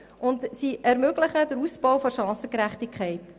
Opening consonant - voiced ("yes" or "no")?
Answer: yes